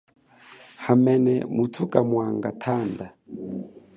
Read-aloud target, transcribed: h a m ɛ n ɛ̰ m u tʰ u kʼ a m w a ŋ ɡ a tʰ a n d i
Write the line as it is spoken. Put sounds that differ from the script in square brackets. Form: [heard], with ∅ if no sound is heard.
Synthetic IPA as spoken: h a m ɛ n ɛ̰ m u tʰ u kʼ a m w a ŋ ɡ a tʰ a n d [a]